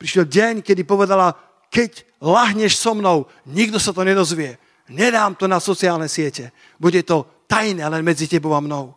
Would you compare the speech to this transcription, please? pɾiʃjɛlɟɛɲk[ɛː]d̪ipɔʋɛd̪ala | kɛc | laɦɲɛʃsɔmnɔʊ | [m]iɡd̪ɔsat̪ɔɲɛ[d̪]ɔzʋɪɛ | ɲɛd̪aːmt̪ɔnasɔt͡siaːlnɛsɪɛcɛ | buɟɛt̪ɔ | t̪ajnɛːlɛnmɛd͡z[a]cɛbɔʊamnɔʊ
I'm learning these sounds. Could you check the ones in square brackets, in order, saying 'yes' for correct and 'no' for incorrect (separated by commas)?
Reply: no, no, yes, no